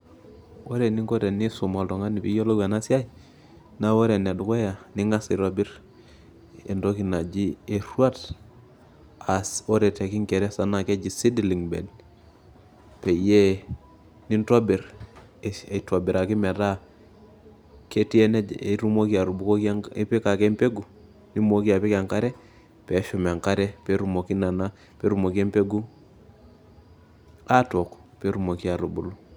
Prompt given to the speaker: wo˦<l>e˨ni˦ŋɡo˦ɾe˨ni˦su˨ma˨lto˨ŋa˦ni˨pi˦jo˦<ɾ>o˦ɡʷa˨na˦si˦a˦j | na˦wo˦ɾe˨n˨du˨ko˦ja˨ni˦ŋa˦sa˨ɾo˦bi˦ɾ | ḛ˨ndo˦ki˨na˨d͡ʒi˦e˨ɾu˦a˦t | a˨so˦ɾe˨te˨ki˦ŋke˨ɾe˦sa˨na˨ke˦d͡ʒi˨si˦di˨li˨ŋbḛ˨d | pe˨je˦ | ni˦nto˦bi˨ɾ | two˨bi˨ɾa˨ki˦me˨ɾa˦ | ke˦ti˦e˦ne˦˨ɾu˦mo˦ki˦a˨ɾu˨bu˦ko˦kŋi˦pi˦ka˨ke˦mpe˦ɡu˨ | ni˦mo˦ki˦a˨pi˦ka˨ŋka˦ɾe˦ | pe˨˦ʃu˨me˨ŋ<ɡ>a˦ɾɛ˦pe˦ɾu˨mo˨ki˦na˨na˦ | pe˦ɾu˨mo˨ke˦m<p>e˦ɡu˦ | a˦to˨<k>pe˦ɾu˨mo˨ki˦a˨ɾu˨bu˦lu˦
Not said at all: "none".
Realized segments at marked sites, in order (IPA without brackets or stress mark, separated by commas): ɾ, l, k, p, k